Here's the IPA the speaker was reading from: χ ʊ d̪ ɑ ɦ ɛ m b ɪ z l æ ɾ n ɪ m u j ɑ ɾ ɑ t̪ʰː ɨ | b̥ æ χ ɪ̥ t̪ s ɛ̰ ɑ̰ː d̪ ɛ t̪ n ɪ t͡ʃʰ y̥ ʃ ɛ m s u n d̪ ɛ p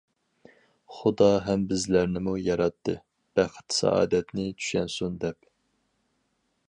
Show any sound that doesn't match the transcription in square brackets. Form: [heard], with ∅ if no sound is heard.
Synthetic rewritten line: χ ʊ d̪ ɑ ɦ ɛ m b ɪ z l æ ɾ n ɪ m u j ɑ ɾ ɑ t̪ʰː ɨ | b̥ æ χ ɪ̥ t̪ s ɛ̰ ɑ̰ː d̪ ɛ t̪ n ɪ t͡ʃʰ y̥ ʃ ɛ [n] s u n d̪ ɛ p